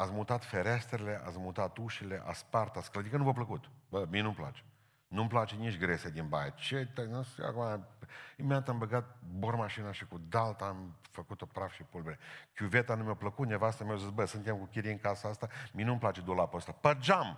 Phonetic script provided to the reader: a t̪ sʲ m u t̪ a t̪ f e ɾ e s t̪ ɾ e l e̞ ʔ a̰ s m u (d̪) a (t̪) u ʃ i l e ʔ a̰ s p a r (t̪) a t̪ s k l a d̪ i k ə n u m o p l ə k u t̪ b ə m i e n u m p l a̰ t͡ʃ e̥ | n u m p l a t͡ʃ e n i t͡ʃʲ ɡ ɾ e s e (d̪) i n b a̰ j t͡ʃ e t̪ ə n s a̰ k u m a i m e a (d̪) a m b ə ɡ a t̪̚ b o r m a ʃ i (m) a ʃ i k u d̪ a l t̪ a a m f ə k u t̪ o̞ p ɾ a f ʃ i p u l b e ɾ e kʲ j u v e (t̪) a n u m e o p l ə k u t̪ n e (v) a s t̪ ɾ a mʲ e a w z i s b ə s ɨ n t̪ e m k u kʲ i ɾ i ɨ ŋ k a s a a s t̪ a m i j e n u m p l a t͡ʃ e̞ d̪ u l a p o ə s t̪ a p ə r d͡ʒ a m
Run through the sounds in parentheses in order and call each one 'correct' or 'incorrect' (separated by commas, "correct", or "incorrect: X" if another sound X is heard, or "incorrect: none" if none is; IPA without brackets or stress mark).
incorrect: t̪, correct, correct, correct, incorrect: t̪, incorrect: n, correct, correct